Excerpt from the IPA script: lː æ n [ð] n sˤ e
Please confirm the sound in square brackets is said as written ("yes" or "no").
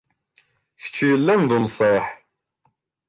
yes